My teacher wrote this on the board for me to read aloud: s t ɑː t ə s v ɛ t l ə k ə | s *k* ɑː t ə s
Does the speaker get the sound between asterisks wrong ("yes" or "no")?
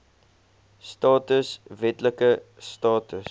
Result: yes